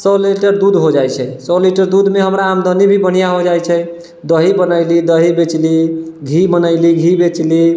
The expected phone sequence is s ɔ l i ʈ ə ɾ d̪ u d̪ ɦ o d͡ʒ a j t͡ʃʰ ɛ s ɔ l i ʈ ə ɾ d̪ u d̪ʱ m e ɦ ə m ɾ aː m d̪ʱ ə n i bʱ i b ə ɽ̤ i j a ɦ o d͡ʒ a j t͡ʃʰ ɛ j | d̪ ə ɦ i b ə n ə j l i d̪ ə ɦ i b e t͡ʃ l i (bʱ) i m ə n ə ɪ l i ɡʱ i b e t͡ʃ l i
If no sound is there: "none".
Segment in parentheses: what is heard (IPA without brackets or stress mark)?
ɡʱ